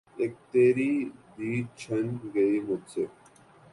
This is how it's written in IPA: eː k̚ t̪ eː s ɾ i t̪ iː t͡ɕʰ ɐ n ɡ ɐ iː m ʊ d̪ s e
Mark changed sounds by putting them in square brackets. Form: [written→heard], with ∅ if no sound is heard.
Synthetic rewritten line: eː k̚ t̪ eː [s→∅] ɾ i [t̪→d̪] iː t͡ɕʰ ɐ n ɡ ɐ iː m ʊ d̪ s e